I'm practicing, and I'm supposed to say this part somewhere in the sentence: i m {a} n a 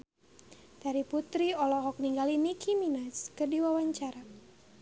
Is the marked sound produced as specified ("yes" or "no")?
no